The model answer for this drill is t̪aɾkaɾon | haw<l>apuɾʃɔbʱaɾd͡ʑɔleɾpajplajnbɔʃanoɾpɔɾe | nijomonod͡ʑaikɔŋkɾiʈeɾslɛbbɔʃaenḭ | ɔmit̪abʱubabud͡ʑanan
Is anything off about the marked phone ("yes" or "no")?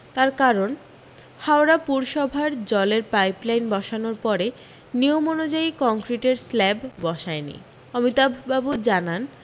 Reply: yes